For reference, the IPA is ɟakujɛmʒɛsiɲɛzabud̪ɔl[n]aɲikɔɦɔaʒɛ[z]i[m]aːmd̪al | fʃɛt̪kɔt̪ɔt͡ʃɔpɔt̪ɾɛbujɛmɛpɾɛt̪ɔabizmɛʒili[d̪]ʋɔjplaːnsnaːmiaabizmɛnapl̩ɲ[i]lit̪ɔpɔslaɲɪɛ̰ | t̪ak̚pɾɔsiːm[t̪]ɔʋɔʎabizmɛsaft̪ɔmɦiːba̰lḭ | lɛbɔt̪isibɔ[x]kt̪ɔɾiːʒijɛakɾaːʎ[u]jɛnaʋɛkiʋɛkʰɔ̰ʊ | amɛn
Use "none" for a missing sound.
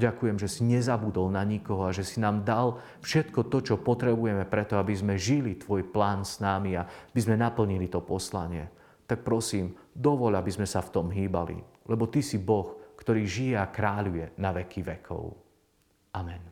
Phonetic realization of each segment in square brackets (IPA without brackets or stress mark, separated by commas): n, s, n, t̪, i, d̪, x, u